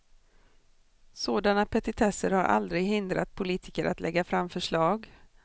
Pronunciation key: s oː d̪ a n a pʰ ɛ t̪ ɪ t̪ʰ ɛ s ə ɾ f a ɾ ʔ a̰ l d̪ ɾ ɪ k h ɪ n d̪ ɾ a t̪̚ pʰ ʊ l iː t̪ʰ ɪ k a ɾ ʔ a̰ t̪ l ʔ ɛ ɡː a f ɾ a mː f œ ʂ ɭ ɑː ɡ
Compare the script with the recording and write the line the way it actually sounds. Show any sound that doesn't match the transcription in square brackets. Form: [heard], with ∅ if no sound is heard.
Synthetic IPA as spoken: s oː d̪ a n a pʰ ɛ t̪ ɪ t̪ʰ ɛ s ə ɾ [h] a ɾ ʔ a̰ l d̪ ɾ ɪ [ɡ] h ɪ n d̪ ɾ a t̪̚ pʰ ʊ l iː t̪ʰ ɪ k [ə] ɾ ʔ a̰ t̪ l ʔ ɛ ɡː a f ɾ a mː f œ ʂ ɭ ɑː ɡ